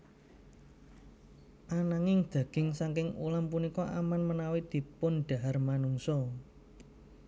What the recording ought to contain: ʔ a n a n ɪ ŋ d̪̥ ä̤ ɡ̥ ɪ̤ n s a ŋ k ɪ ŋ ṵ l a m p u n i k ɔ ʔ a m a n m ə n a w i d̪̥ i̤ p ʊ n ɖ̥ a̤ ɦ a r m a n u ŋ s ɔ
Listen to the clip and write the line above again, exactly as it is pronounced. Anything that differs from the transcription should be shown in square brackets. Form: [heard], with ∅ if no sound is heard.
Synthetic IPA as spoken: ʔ a n a [ŋ] ɪ ŋ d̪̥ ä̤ ɡ̥ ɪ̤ [ŋ] s a ŋ k ɪ ŋ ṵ l a m p u n i k ɔ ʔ a m a n m ə n a w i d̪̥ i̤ p ʊ n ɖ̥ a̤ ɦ a r m a n u ŋ s ɔ